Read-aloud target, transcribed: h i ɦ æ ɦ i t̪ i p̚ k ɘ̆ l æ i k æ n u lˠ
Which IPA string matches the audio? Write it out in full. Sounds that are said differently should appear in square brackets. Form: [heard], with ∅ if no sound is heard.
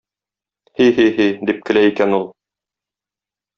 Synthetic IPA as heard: h i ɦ [i] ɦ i [d̪] i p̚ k ɘ̆ l æ i k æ n u lˠ